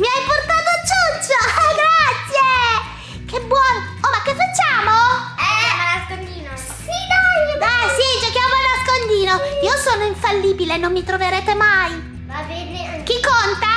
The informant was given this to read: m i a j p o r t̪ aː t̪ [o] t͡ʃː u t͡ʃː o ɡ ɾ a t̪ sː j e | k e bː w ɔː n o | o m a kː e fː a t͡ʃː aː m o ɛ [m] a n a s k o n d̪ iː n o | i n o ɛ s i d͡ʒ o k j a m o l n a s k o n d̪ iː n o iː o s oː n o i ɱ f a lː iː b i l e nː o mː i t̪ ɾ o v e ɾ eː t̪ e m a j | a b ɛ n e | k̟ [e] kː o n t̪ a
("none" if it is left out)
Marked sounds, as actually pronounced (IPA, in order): o, m, i

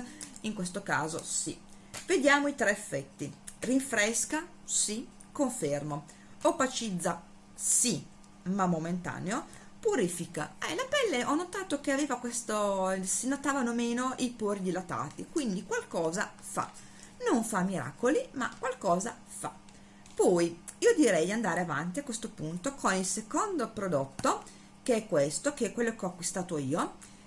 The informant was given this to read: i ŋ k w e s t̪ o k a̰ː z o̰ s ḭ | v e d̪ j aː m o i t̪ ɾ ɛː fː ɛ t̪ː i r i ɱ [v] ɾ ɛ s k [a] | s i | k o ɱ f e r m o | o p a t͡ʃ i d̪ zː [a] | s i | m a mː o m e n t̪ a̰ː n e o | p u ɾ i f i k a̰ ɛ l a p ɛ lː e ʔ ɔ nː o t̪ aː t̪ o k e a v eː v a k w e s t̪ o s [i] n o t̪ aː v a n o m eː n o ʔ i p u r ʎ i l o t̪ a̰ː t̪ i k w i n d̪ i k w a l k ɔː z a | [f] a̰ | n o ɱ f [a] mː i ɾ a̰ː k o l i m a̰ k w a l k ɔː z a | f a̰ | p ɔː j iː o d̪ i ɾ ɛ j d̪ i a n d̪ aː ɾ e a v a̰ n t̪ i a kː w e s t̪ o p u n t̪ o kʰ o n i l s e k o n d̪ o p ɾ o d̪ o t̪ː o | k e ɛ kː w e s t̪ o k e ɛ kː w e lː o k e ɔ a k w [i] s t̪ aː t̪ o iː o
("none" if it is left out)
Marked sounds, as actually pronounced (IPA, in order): f, a, a, i, f, a, i

